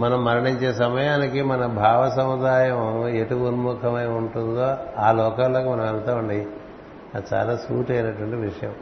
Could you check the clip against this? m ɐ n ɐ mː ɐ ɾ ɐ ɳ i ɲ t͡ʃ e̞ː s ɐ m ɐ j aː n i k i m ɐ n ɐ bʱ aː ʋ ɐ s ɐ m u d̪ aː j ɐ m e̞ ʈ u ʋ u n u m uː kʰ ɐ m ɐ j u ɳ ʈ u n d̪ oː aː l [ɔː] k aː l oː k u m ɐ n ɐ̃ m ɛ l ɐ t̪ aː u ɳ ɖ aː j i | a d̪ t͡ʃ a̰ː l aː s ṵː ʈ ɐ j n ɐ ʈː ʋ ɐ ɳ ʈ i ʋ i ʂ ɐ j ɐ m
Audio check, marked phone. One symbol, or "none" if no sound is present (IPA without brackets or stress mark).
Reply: ɔː